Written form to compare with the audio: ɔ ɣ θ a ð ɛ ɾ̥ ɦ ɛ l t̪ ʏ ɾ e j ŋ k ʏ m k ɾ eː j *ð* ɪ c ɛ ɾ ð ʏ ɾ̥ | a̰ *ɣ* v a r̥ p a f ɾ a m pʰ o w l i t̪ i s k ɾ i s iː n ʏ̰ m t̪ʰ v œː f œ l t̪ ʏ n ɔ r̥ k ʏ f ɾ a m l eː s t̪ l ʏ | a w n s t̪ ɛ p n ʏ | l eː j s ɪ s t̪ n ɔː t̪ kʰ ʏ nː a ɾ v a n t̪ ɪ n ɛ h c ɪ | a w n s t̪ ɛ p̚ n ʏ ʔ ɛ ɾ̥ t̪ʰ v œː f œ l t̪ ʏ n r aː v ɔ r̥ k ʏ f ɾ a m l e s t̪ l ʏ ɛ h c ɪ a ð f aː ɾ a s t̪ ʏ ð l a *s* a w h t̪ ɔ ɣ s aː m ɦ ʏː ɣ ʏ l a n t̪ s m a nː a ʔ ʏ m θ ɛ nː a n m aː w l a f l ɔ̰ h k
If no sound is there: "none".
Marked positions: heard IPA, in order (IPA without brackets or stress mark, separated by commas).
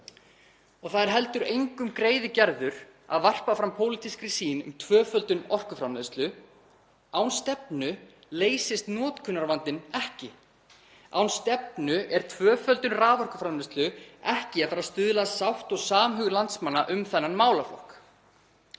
ð, ð, s